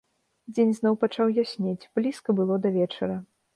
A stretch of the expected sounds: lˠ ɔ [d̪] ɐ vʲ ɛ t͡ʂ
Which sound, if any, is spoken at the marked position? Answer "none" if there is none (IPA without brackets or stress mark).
d̪